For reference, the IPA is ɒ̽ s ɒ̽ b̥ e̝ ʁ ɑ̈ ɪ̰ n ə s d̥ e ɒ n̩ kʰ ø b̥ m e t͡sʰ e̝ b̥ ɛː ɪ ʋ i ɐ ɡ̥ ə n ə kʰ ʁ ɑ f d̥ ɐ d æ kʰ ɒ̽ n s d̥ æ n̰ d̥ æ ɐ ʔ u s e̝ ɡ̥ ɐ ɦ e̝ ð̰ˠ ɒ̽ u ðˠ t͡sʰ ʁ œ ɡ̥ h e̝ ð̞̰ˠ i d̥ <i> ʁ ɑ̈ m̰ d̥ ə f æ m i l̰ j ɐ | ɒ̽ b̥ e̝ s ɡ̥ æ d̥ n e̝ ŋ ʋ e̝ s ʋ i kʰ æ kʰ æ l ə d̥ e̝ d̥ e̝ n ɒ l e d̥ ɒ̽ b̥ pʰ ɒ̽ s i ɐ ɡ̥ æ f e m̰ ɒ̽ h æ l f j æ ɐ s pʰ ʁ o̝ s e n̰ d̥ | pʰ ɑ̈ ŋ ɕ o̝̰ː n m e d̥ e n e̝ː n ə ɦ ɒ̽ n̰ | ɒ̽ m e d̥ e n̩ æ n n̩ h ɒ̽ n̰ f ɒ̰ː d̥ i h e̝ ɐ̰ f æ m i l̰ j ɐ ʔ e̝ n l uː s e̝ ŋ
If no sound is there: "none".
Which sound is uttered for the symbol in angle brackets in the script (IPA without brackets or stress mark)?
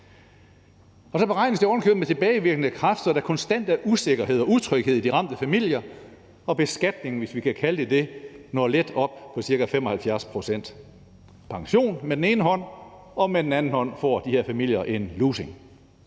i